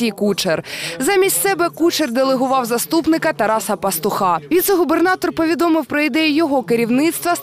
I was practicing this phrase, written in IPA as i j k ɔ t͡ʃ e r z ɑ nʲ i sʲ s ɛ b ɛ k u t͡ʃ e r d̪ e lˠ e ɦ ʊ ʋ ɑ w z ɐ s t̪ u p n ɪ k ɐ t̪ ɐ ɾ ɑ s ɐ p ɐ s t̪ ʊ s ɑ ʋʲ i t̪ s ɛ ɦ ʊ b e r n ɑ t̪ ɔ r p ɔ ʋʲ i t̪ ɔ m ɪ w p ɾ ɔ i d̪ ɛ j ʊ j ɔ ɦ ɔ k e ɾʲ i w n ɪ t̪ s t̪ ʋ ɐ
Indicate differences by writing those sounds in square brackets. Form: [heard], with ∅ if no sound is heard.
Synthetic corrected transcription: i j k [u] t͡ʃ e r z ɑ [mʲ] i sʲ s ɛ b ɛ k u t͡ʃ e r d̪ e lˠ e ɦ ʊ ʋ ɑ w z ɐ s t̪ u p n ɪ k ɐ t̪ ɐ ɾ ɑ s ɐ p ɐ s t̪ ʊ [x] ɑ ʋʲ i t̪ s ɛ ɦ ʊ b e r n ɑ t̪ ɔ r p ɔ ʋʲ i [d̪] ɔ m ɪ w p ɾ ɔ i d̪ ɛ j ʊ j ɔ ɦ ɔ k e ɾʲ i w n ɪ t̪ s t̪ ʋ ɐ